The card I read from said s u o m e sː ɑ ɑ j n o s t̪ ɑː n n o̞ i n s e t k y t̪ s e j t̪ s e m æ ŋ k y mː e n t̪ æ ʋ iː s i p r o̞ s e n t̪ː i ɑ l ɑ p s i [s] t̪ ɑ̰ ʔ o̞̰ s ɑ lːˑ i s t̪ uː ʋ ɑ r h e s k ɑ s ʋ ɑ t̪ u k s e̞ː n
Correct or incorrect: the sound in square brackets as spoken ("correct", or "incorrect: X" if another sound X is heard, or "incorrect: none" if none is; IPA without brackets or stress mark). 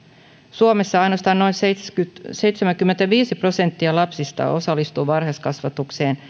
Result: correct